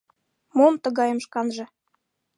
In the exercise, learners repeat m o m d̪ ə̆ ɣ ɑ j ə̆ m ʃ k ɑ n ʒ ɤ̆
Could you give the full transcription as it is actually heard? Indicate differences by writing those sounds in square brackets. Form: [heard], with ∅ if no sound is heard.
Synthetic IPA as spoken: m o m [t̪] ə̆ ɣ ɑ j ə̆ m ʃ k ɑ n ʒ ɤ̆

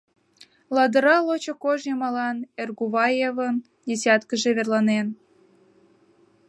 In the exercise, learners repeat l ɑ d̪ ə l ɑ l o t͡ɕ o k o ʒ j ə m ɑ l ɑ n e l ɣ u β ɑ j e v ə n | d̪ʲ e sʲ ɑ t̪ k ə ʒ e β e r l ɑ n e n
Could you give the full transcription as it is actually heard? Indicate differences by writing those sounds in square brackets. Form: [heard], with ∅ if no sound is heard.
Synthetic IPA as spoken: l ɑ d̪ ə [ɾ] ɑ l o t͡ɕ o k o ʒ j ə m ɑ l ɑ n e [r] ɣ u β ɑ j e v ə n | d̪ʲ e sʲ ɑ t̪ k ə ʒ e β e r l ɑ n e n

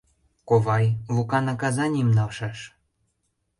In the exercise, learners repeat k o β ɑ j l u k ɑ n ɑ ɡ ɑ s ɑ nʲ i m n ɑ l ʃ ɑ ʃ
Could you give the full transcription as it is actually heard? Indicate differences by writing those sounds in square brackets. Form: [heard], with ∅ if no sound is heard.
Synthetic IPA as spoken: k o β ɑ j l u k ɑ n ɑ [k] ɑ [z] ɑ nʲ i m n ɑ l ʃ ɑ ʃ

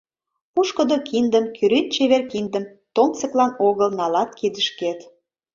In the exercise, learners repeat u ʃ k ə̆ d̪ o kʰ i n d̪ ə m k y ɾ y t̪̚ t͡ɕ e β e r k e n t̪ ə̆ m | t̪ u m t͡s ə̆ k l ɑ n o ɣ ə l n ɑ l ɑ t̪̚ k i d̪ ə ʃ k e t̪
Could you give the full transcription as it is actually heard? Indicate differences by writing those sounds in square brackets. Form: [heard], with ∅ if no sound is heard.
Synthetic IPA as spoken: u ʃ k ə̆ d̪ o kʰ i n d̪ ə m k y ɾ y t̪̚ t͡ɕ e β e r k [i] n [d̪] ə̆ m | t̪ [o] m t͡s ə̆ k l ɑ n o ɣ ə l n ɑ l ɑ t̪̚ k i d̪ ə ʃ k e t̪

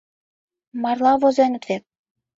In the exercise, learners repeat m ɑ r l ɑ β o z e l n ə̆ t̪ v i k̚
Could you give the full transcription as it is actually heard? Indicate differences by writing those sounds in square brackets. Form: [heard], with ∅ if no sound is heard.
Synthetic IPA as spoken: m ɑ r l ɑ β o z e [∅] n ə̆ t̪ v [e] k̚

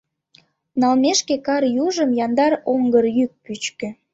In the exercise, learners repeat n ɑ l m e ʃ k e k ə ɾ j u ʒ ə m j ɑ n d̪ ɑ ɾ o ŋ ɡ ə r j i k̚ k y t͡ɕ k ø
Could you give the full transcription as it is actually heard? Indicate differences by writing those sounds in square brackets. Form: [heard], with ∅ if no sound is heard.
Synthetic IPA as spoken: n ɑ l m e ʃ k e k [ɑ] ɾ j u ʒ ə m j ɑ n d̪ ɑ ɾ o ŋ ɡ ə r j [y] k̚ [p] y t͡ɕ k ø

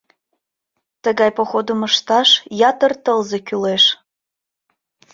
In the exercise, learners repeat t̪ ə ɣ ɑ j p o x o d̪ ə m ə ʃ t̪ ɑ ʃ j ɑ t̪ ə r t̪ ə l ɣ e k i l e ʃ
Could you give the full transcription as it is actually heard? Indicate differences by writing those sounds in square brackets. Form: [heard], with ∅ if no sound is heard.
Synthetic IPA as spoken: t̪ ə ɣ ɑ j p o x o d̪ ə m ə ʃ t̪ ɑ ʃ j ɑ t̪ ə r t̪ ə l [z] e k [y] l e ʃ

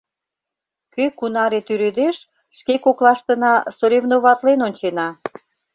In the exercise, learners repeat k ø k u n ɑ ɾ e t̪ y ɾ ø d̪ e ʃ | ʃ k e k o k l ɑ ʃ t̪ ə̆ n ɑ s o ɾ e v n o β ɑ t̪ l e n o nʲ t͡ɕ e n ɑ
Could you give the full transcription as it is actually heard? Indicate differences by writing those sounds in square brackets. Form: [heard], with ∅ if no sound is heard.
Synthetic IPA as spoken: k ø k u n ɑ ɾ e t̪ y ɾ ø d̪ e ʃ | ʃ k e k o k l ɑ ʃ t̪ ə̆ n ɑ s o ɾ e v n o β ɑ t̪ l e n o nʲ t͡ɕ e n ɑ

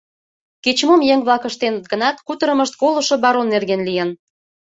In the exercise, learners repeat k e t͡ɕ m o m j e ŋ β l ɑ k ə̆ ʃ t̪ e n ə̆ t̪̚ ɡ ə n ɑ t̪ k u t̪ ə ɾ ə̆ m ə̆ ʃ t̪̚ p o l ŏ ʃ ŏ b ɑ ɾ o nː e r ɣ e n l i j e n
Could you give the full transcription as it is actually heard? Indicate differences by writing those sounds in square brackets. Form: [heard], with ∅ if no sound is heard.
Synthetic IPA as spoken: k e t͡ɕ m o m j e ŋ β l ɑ k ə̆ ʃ t̪ e n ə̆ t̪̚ ɡ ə n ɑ t̪ k u t̪ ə ɾ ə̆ m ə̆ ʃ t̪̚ [k] o l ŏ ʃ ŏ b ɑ ɾ o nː e r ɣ e n l i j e n

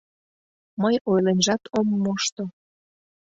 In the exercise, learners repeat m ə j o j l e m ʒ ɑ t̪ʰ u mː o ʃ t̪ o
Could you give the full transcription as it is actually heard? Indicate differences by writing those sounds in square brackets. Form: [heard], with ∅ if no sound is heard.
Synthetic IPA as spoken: m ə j o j l e [n] ʒ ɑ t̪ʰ [o] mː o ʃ t̪ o

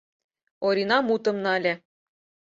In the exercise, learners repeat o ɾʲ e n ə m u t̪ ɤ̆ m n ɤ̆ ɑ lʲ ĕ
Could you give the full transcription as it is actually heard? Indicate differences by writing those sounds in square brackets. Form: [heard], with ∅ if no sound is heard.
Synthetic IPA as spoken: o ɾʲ [i] n [ɑ] m u t̪ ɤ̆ m n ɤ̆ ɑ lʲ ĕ

